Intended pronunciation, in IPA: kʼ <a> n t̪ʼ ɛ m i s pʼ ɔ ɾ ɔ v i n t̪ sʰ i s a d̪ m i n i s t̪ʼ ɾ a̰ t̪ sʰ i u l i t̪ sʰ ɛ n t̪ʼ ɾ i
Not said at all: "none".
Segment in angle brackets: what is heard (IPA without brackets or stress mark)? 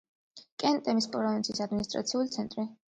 ɛ